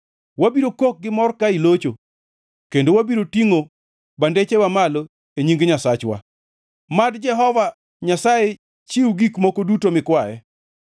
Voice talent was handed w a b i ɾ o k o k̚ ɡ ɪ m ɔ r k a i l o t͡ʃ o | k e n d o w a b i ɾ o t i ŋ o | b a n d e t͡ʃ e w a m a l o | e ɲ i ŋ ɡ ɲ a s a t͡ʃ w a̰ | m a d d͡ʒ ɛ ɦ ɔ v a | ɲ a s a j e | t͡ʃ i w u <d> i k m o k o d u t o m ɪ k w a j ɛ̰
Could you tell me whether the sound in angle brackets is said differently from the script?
yes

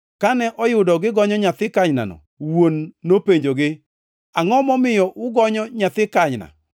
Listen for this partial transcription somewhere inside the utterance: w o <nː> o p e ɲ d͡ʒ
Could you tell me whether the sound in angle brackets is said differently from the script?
no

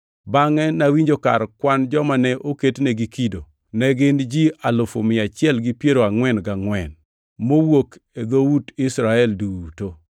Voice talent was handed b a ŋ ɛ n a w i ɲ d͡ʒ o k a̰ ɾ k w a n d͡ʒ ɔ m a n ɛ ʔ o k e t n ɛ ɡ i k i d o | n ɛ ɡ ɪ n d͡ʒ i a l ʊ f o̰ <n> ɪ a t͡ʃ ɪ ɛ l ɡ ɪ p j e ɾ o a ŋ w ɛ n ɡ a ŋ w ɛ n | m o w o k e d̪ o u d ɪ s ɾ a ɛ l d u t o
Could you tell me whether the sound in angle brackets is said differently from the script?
yes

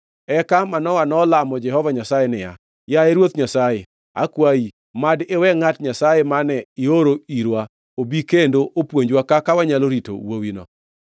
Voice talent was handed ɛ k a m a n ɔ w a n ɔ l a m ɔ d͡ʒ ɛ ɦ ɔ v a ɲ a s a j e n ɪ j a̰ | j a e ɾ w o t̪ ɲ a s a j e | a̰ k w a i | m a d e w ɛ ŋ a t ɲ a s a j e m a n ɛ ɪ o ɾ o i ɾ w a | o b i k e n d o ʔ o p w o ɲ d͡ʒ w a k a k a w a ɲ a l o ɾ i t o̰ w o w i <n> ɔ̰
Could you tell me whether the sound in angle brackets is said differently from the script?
no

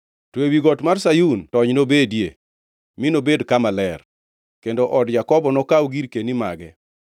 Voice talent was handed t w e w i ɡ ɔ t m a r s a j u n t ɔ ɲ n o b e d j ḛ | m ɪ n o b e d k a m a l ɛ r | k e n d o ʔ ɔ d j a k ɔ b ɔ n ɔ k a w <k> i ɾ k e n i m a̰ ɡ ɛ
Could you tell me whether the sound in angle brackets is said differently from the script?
yes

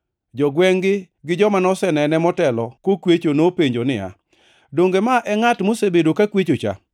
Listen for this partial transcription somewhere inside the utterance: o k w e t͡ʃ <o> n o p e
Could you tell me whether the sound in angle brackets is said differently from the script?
no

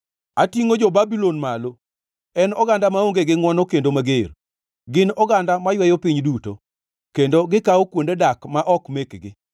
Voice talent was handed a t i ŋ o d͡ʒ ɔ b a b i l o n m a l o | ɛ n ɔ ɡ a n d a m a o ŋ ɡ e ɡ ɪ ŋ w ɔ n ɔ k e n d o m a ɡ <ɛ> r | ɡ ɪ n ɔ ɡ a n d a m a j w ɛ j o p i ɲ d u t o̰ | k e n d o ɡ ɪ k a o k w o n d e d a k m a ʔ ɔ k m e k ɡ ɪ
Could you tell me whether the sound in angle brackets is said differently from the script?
yes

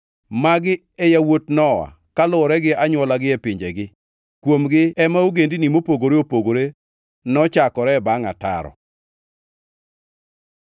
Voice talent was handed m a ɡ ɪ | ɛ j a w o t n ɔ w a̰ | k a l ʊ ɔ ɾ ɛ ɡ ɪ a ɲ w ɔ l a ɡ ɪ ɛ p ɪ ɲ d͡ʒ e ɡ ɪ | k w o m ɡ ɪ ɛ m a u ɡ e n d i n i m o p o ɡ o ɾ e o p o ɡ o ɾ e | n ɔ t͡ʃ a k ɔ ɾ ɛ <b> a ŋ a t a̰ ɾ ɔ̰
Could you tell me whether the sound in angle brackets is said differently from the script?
no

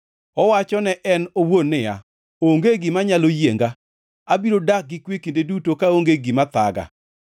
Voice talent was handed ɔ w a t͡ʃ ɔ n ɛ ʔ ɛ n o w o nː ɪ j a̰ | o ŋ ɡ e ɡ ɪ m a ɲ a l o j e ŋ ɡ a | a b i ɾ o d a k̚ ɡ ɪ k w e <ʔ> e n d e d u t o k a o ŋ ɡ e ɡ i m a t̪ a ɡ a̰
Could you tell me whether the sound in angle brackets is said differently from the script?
yes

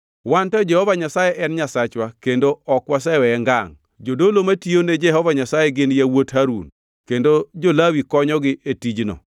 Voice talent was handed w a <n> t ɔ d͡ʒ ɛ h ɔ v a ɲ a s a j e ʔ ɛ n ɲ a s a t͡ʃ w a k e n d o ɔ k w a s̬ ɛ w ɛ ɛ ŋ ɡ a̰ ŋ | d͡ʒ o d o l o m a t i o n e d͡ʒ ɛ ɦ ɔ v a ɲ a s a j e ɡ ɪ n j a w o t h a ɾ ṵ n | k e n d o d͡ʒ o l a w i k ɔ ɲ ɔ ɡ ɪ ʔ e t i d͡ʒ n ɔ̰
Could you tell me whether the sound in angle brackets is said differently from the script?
no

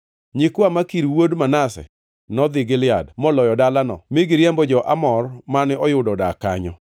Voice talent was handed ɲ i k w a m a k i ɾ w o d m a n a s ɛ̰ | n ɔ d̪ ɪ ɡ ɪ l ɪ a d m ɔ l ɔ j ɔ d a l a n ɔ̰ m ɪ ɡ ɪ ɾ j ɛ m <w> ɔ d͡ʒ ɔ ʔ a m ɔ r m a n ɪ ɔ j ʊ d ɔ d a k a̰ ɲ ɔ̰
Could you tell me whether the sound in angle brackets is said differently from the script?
yes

